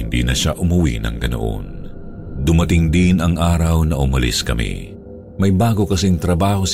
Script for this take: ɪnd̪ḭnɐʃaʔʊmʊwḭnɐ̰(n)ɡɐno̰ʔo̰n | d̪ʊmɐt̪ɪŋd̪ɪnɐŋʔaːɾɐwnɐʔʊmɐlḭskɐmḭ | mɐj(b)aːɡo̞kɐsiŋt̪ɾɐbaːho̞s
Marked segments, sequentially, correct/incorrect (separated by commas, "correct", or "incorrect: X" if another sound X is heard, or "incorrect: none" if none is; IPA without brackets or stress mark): incorrect: ŋ, correct